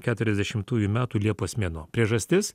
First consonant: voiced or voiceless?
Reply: voiceless